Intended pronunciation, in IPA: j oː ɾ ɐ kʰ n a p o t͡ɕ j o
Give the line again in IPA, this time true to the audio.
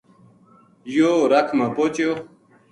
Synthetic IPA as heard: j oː ɾ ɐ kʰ m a p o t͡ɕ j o